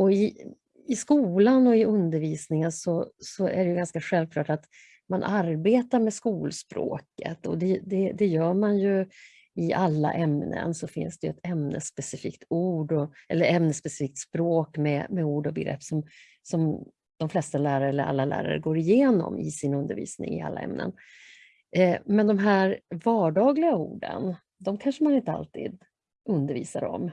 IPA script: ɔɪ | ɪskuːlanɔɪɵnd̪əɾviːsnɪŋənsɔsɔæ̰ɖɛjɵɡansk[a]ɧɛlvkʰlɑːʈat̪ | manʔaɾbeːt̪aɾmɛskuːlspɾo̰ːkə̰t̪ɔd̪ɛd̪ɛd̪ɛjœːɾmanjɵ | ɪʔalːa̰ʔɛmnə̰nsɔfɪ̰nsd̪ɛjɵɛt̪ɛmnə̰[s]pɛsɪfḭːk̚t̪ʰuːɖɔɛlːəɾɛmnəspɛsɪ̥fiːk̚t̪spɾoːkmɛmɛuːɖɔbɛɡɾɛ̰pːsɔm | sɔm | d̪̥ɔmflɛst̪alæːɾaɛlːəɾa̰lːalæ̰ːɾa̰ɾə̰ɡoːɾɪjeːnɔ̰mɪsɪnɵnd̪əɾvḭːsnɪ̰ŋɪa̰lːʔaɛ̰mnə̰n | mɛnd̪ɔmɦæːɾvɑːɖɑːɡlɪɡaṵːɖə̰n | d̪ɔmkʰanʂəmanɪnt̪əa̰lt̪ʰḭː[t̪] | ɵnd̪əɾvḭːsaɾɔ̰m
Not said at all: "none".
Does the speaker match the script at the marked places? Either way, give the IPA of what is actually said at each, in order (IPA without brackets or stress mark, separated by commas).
a, s, d̪